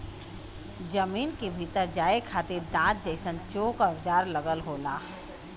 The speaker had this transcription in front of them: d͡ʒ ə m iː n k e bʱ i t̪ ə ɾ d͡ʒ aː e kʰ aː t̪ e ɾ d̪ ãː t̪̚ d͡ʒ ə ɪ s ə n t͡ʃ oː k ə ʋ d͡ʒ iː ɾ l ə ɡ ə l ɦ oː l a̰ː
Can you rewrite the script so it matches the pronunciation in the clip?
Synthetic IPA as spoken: d͡ʒ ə m iː n k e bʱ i t̪ ə ɾ d͡ʒ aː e kʰ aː t̪ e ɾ d̪ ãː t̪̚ d͡ʒ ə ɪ s ə n t͡ʃ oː k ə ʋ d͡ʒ aː ɾ l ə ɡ ə l ɦ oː l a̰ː